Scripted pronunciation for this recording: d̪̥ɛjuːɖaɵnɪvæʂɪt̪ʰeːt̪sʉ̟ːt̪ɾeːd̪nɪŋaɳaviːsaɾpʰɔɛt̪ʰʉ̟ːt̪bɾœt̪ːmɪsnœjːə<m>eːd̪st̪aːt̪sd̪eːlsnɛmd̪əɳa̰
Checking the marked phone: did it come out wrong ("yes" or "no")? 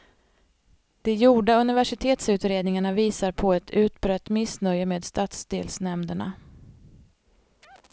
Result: no